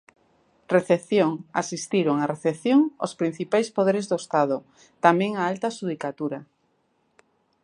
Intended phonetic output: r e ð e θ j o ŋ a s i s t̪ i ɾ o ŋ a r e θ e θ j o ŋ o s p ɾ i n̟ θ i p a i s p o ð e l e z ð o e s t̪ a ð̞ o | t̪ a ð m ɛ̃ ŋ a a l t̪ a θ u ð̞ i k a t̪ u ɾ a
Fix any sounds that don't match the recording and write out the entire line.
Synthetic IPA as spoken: r e θ e θ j o ŋ a s i s t̪ i ɾ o ŋ a r e θ e θ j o ŋ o s p ɾ i n̟ θ i p a j s p o ð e ɾ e z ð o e s t̪ a ð̞ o | t̪ a m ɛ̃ ŋ a a l t̪ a ʃ u ð̞ i k a t̪ u ɾ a